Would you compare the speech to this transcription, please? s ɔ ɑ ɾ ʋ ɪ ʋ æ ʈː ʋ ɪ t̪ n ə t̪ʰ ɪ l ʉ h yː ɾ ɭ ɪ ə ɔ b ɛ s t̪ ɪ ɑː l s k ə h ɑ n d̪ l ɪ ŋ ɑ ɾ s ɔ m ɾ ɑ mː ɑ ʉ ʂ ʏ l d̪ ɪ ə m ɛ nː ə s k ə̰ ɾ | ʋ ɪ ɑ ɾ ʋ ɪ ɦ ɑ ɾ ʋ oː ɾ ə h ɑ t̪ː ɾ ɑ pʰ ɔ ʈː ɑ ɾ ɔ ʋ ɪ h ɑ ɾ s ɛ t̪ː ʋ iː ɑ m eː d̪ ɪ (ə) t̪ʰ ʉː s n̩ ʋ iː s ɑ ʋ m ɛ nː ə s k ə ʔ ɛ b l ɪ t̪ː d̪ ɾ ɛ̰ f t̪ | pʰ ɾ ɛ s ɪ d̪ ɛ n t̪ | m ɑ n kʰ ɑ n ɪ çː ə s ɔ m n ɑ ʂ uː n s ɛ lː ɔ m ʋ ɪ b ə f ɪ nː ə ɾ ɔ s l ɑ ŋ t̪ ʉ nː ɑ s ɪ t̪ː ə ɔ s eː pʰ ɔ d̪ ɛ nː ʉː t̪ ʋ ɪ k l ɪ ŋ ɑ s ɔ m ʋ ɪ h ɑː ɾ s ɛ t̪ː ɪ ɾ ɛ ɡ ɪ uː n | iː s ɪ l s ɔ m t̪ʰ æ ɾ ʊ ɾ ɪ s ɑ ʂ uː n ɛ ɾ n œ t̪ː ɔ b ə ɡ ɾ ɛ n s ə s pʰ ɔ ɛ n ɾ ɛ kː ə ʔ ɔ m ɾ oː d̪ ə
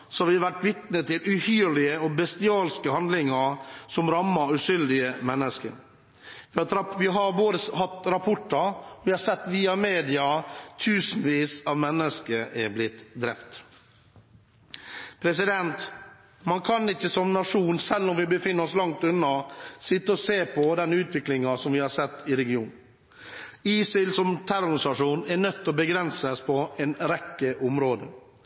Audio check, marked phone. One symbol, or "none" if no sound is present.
ɑ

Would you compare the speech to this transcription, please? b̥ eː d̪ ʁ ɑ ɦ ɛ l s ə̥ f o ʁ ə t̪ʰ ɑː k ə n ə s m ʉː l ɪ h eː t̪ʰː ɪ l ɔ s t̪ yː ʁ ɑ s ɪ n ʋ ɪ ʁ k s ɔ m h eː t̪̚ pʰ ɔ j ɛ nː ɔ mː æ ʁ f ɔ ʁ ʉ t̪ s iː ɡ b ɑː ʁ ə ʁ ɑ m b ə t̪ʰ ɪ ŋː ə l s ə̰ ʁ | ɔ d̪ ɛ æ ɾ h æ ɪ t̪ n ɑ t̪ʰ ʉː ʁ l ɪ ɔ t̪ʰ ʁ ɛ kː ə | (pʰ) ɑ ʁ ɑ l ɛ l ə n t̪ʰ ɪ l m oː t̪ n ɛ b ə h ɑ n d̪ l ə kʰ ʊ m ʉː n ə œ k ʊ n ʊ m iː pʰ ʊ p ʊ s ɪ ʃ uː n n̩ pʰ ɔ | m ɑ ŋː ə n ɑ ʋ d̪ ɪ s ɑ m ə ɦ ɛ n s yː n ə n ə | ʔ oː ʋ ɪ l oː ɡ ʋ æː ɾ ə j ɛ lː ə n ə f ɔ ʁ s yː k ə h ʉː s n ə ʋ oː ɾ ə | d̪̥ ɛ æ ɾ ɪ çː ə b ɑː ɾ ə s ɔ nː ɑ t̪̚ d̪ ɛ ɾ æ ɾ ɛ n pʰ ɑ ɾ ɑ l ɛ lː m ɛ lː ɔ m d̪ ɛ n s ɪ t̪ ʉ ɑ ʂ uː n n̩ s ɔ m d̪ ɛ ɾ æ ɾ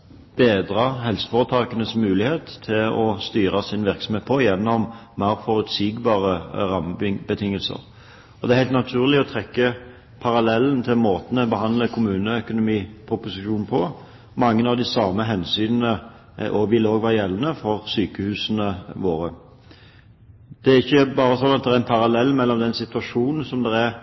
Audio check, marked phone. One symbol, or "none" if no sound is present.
pʰ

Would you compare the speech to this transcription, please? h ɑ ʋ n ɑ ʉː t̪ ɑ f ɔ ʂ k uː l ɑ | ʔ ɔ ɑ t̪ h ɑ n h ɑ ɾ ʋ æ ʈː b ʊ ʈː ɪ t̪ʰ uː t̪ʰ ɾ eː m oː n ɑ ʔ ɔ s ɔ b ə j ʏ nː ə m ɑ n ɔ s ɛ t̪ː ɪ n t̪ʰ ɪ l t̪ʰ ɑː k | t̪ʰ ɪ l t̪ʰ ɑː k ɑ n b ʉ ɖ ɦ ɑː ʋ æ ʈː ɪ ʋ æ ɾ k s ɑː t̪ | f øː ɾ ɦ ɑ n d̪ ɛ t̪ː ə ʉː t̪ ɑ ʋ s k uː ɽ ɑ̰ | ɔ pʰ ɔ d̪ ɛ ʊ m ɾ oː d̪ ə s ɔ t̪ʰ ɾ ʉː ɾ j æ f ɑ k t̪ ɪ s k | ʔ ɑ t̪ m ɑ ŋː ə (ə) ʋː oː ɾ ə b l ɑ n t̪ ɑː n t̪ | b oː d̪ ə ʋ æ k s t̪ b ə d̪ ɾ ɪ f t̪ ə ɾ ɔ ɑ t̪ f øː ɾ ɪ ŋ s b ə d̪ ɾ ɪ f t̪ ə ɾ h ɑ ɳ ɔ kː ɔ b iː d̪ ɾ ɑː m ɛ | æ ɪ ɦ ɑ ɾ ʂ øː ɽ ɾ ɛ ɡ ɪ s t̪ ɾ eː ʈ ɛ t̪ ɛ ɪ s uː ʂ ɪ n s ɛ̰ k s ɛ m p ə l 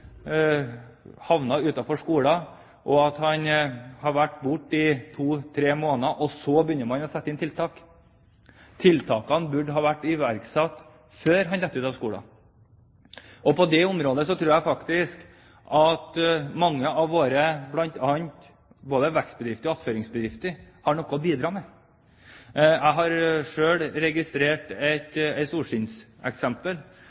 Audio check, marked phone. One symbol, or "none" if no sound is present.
ɑ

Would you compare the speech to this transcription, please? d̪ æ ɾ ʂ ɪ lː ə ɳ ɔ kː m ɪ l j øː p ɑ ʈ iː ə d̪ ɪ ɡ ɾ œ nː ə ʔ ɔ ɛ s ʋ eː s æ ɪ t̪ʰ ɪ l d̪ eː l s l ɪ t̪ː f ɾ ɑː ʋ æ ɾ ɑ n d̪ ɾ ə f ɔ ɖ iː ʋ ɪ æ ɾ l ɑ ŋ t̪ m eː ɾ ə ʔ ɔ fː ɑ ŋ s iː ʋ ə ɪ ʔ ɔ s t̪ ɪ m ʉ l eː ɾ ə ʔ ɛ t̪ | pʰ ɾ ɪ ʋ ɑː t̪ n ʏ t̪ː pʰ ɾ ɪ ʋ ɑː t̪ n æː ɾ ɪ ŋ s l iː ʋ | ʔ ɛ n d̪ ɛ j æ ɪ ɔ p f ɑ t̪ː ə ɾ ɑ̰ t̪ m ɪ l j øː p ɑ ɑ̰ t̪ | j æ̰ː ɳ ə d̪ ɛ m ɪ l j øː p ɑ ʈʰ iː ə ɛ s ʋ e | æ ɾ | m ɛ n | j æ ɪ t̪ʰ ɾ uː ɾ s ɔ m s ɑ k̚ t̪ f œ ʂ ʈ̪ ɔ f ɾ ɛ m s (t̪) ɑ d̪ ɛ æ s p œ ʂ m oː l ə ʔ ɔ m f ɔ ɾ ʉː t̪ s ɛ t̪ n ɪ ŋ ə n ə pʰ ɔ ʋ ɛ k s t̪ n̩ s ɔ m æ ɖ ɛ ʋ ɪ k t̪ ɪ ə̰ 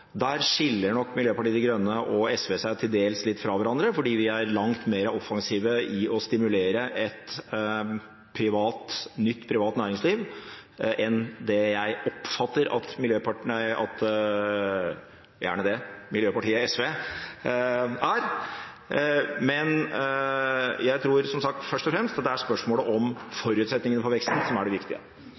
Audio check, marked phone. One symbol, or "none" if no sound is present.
t̪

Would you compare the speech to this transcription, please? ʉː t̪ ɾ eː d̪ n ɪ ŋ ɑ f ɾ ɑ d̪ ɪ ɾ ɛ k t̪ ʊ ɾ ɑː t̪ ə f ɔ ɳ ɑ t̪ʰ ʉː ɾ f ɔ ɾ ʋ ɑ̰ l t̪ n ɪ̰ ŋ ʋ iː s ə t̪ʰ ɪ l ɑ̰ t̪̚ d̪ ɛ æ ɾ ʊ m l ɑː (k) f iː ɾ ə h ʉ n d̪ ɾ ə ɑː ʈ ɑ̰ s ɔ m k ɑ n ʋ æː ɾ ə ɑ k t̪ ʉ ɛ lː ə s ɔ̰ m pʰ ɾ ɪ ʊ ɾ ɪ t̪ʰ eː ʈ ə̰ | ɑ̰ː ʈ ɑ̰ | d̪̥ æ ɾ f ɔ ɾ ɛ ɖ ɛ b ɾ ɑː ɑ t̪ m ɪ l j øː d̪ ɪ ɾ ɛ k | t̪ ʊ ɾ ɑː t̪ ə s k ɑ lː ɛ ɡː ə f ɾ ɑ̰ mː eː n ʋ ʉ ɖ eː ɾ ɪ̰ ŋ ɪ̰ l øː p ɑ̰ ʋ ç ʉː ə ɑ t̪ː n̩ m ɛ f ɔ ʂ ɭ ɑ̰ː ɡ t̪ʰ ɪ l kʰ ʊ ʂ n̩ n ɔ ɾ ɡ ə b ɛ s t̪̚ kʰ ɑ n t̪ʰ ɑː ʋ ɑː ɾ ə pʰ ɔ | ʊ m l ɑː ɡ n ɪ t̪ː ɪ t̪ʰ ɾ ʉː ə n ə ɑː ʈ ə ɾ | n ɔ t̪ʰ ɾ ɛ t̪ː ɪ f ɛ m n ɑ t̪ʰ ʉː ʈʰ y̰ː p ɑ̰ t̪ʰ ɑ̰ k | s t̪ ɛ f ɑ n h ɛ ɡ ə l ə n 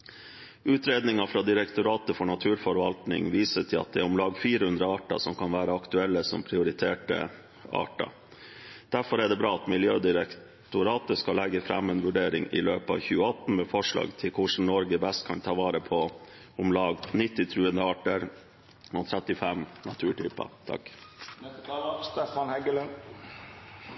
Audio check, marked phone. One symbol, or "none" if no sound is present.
ɡ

